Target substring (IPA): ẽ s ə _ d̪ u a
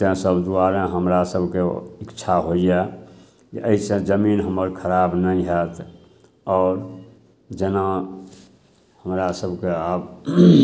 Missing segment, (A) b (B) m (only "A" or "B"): A